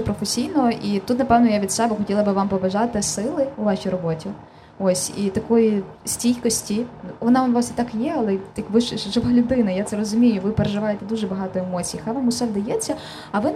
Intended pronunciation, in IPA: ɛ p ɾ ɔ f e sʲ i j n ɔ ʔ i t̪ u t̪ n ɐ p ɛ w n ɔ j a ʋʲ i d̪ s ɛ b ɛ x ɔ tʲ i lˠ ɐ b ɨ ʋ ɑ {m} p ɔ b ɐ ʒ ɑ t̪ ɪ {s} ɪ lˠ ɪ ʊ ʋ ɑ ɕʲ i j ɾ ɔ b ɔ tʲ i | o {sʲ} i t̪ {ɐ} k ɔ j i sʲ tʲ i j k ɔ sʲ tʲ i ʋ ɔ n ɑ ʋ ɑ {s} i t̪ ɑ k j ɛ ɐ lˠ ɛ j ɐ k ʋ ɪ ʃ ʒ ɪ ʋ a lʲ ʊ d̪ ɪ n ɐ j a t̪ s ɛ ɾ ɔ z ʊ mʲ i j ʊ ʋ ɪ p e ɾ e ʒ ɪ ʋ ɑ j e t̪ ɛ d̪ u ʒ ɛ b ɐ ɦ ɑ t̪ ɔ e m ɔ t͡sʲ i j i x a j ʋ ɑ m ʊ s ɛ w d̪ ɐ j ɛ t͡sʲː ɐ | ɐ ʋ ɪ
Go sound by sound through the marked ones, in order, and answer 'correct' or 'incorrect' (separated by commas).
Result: correct, correct, correct, correct, correct